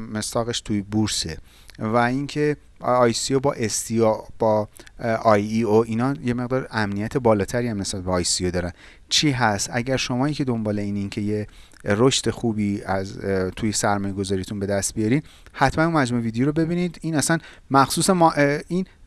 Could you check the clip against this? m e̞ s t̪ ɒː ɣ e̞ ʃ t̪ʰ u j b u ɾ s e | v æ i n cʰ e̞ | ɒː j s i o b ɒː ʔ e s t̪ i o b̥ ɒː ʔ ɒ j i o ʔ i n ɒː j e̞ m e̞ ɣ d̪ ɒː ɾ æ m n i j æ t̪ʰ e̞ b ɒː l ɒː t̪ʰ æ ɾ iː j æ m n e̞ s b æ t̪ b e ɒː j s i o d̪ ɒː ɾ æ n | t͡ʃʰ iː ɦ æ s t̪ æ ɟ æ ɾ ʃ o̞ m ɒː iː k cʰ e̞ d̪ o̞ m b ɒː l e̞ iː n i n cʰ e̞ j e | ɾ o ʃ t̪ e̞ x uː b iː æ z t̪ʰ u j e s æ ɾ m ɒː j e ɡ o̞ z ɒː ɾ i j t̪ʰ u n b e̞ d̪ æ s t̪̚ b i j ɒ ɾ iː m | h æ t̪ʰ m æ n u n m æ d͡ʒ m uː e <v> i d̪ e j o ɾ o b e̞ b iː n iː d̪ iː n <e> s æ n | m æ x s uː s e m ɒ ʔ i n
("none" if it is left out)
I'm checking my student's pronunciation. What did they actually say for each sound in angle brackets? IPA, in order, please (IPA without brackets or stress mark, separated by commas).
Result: v, æ